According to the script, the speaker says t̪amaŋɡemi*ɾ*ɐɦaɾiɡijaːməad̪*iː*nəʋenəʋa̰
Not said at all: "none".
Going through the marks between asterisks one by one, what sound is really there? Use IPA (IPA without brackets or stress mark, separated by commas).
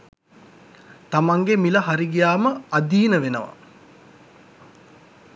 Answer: l, iː